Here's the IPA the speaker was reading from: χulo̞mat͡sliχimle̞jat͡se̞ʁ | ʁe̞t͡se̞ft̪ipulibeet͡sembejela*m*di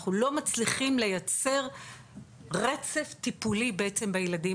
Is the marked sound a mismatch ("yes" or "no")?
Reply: yes